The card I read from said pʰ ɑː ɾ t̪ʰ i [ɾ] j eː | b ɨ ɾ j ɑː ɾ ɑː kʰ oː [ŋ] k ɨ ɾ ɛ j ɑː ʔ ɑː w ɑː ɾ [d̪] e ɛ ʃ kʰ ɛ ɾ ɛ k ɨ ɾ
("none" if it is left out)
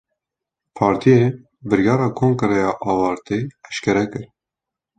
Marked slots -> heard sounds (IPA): none, ŋ, t̪

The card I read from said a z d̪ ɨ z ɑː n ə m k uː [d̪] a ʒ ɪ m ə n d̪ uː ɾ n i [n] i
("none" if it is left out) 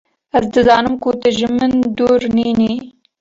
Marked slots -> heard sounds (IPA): t̪, n

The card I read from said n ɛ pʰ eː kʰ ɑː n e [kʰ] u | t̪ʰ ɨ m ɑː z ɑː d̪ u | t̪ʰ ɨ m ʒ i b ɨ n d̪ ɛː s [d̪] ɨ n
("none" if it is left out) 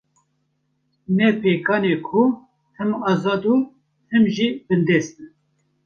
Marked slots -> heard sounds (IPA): kʰ, t̪

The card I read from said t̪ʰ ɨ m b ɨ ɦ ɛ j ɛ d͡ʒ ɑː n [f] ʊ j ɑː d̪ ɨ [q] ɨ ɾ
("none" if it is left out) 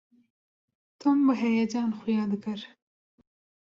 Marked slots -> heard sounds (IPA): x, k

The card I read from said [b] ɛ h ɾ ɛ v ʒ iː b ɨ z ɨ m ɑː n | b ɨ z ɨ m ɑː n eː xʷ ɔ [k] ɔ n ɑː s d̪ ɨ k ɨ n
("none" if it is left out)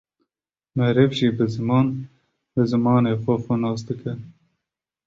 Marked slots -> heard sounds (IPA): m, x

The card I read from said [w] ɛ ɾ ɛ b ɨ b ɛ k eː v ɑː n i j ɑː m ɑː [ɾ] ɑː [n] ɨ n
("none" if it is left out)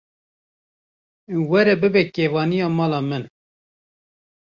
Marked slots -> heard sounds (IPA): w, l, m

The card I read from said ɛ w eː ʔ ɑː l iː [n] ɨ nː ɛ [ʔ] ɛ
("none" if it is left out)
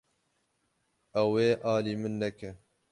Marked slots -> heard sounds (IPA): m, k

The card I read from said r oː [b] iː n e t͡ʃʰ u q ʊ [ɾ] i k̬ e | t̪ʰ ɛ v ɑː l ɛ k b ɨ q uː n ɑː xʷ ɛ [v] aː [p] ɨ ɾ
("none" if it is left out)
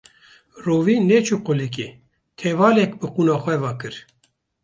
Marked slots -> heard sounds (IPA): v, l, v, k

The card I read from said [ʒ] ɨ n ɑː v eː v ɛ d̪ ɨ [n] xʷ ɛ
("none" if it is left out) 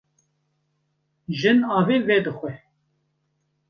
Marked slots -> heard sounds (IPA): ʒ, none

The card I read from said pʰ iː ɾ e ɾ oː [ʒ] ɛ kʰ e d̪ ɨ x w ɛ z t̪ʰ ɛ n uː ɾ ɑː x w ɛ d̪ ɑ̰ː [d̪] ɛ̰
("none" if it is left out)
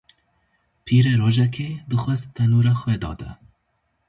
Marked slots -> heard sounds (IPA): ʒ, d̪

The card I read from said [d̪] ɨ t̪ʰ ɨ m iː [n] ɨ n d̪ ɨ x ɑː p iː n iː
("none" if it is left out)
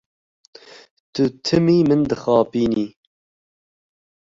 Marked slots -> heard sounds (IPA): t̪, m

